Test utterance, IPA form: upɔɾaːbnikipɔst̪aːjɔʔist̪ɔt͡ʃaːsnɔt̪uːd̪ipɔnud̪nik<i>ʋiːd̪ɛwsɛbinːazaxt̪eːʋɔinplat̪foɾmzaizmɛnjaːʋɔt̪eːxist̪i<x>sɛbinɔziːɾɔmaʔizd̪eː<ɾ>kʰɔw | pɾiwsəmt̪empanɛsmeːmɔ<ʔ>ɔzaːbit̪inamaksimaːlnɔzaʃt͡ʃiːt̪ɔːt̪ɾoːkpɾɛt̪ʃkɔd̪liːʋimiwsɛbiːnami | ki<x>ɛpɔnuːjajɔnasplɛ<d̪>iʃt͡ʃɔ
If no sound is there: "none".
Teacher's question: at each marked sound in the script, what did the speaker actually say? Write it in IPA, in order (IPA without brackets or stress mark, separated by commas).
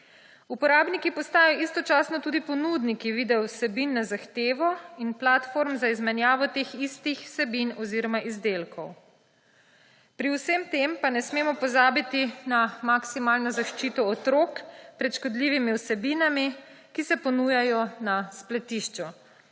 i, x, l, p, s, t̪